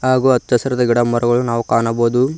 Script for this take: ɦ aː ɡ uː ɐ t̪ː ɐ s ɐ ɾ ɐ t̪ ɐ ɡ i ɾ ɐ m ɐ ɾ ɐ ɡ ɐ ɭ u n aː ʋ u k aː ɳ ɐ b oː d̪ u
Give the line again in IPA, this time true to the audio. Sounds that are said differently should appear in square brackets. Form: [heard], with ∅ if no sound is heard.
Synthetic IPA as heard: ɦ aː ɡ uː ɐ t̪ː ɐ s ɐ ɾ ɐ [d̪] ɐ ɡ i [ɽ] ɐ m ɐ ɾ ɐ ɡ ɐ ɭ u n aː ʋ u k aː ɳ ɐ b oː d̪ u